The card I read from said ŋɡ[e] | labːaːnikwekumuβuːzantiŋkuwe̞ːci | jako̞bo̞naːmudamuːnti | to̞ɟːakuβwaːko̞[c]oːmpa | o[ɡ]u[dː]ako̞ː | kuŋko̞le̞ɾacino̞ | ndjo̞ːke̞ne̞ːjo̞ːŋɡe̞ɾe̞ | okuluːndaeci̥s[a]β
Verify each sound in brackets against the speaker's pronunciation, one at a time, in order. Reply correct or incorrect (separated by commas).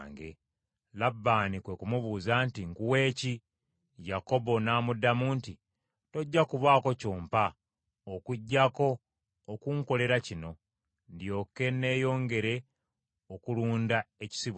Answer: correct, correct, incorrect, incorrect, incorrect